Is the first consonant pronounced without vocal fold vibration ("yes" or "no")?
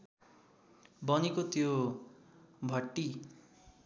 no